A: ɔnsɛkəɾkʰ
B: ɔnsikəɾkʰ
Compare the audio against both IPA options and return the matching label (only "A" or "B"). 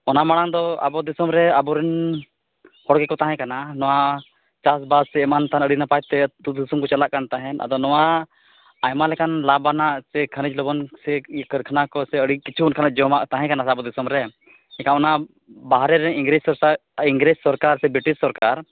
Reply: A